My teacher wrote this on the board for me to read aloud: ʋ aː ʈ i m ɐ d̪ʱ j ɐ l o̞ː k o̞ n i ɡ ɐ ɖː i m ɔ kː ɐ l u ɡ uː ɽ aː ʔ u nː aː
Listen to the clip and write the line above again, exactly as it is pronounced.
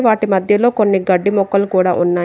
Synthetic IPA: ʋ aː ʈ i m ɐ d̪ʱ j ɐ l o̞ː k o̞ nː i ɡ ɐ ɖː i m ɔ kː ɐ l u k uː ɽ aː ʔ u nː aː